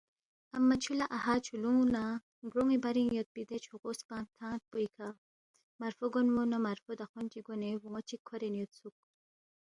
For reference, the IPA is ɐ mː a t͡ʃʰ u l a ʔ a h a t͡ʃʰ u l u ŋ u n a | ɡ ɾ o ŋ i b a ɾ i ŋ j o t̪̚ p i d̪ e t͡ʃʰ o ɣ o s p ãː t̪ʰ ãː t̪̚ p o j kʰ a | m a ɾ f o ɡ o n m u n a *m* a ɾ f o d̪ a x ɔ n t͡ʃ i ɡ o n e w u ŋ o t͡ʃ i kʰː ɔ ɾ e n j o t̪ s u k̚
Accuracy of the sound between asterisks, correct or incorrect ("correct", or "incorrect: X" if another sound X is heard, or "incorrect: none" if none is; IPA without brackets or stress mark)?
correct